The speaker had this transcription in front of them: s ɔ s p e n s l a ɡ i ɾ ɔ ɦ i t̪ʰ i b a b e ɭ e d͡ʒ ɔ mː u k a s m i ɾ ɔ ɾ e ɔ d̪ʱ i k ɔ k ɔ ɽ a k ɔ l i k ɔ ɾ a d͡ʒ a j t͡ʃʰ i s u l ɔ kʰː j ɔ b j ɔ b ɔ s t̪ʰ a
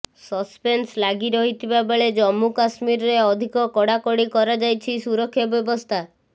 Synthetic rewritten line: s ɔ s p e n s l a ɡ i ɾ ɔ ɦ i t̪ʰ i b a b e ɭ e d͡ʒ ɔ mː u k a s m i ɾ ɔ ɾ e ɔ d̪ʱ i k ɔ k ɔ ɽ a k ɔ ɽ i k ɔ ɾ a d͡ʒ a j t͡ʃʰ i s u ɾ ɔ kʰː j ɔ b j ɔ b ɔ s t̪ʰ a